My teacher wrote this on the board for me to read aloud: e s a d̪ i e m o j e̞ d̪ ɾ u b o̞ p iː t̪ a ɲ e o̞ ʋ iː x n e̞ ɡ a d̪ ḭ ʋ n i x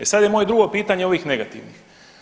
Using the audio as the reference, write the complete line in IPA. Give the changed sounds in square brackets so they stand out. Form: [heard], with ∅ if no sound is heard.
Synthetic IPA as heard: e s a d̪ [j] e m o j e̞ d̪ ɾ u [ɡ] o̞ p iː t̪ a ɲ e o̞ ʋ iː x n e̞ ɡ a [t̪] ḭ ʋ n i x